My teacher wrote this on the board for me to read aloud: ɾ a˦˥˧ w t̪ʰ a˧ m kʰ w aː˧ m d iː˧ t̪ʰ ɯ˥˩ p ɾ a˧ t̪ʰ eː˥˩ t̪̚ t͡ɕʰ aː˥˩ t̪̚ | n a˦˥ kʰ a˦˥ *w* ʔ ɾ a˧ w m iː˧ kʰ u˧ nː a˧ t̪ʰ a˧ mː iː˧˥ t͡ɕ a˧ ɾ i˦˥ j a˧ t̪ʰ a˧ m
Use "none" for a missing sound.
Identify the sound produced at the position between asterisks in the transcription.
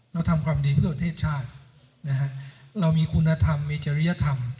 none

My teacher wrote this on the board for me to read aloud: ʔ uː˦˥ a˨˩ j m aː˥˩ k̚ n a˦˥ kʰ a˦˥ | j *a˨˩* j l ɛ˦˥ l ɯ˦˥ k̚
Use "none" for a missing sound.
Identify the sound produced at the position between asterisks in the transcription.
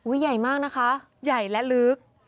a˨˩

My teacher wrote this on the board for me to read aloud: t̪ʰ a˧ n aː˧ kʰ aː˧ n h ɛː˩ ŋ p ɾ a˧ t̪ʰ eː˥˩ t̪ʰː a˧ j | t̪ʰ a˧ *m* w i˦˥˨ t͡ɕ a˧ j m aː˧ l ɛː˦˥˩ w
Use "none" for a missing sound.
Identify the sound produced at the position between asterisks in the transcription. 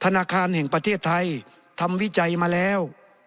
m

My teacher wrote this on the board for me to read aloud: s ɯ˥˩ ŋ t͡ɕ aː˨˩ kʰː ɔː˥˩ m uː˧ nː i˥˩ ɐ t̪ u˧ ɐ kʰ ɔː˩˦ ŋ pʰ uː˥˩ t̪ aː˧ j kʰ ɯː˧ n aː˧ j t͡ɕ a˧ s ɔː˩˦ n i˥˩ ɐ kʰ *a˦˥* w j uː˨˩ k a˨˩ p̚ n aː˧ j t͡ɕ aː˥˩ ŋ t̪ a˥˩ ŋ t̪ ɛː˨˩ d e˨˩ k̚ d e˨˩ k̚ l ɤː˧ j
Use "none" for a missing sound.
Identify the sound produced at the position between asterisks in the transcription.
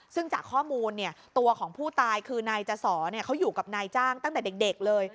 a˦˥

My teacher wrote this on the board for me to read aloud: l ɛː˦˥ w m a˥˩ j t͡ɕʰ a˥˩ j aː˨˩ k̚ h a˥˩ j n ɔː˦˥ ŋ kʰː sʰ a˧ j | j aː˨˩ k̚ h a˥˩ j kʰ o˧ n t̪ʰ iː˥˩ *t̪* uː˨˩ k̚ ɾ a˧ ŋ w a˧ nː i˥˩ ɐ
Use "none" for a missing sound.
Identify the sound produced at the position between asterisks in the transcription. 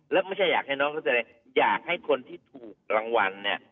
t̪ʰ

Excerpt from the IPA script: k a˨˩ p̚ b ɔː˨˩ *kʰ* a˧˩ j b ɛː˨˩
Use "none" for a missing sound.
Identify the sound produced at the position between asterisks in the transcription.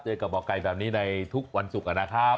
k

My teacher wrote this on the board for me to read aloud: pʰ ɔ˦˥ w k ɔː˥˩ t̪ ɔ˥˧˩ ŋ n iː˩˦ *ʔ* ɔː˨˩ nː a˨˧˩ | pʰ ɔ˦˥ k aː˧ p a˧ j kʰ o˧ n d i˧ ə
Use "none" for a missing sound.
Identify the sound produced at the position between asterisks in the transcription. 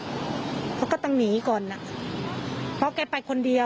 k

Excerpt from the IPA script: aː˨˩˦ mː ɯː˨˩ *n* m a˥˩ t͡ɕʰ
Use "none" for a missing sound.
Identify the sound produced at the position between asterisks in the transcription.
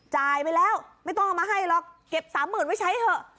n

